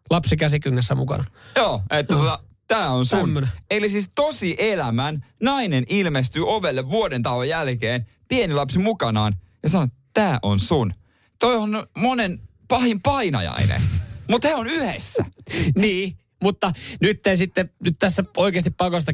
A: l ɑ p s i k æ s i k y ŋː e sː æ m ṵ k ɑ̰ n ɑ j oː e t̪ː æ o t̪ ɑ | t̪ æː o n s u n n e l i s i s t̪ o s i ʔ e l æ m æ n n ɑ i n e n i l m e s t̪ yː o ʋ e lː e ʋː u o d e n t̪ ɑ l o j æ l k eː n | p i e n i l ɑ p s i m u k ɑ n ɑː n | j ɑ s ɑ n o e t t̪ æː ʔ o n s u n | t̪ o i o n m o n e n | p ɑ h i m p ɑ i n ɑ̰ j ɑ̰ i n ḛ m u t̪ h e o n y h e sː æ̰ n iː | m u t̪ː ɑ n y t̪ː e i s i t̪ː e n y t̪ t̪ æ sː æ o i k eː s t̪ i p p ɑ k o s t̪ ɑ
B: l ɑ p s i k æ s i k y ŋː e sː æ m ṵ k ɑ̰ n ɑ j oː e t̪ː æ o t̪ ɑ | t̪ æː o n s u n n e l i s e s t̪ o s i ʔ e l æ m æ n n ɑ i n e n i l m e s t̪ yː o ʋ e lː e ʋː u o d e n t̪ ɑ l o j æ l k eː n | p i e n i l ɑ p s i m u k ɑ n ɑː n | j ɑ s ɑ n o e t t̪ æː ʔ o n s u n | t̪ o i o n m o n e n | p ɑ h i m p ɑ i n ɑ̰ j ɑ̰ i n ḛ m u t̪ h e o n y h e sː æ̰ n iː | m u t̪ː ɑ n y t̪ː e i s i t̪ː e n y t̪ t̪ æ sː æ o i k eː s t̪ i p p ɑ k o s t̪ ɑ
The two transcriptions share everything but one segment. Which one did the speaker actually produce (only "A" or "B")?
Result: A